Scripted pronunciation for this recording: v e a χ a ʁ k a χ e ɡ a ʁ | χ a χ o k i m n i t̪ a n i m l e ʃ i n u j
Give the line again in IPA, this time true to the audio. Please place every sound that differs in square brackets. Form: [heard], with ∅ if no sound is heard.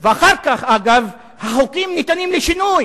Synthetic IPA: v e a χ a ʁ k a χ [a] ɡ a [v] | [h] a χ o k i m n i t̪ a n i m l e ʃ i n u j

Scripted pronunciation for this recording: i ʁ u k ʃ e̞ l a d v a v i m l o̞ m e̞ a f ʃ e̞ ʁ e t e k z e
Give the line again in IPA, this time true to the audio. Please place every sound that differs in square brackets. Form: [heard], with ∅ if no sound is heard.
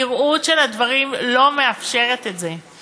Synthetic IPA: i ʁ u [t] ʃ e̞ l a d v a [ʁ] i m l o̞ m e̞ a f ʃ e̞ ʁ e t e [t] z e

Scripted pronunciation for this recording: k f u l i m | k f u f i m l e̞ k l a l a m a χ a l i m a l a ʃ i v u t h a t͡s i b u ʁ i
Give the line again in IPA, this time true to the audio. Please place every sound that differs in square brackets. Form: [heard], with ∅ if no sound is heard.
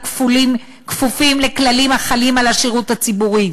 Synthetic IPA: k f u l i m | k f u f i m l e̞ k l a l [i] m a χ a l i m a l a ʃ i [ʁ] u t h a t͡s i b u ʁ i

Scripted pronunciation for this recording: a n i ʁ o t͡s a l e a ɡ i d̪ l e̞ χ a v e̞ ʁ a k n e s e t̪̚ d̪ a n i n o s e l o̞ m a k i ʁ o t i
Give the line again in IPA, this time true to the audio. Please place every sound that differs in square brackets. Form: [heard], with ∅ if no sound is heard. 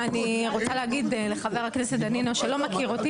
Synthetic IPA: a n i ʁ o t͡s a l e a ɡ i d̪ l e̞ χ a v e̞ ʁ a k n e s e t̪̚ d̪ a n i n o [ʃ] e l o̞ m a k i ʁ o t i

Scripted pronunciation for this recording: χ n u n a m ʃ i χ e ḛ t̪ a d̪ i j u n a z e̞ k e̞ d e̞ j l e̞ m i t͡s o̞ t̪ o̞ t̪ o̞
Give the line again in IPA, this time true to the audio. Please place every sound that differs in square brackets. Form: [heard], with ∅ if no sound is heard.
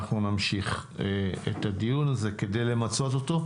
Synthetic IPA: χ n u n a m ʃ i χ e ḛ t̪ a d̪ i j u n a z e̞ k e̞ d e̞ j l e̞ m [a] t͡s o̞ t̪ o̞ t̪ o̞

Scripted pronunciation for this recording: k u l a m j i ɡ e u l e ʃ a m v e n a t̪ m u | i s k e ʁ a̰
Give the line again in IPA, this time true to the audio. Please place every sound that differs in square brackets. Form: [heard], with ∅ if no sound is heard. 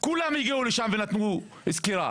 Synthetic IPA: k u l a m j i ɡ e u l e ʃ a m v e n a t̪ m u | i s k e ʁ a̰

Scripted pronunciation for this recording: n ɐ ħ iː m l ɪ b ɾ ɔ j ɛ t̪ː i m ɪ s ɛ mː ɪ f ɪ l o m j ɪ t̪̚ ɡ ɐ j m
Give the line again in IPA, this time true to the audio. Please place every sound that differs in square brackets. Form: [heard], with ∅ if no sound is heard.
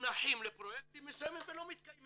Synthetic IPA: n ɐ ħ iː m l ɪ [p] ɾ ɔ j ɛ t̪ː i m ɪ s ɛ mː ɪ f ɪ l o m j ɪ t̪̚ [k] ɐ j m

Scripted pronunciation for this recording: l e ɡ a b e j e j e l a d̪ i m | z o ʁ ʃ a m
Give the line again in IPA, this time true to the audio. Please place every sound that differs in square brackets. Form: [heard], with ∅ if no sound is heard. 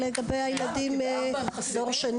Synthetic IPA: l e ɡ a b e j [a] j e l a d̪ i m | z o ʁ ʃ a [n]

